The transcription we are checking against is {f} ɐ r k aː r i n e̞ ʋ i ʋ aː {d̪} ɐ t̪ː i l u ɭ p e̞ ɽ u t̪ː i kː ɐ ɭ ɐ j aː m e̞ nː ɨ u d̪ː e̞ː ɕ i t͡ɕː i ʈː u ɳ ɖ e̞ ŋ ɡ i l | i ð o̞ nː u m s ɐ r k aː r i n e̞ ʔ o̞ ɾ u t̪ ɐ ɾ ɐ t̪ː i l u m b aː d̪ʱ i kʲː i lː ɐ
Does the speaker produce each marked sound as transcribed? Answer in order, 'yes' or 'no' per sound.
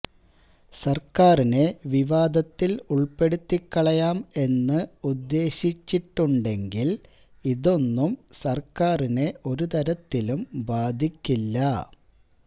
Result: no, yes

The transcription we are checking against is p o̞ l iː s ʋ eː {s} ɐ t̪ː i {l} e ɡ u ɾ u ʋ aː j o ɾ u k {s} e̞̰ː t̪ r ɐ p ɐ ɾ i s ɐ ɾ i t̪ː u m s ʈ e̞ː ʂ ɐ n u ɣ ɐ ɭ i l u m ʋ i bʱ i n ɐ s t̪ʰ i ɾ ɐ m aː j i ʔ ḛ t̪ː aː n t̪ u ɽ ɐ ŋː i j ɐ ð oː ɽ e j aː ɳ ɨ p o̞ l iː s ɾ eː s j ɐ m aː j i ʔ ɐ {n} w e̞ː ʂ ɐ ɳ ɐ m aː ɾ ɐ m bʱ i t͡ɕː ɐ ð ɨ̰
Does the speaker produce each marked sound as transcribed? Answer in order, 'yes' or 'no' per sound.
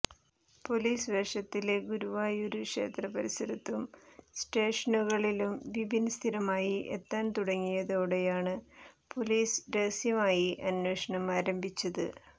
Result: no, yes, no, yes

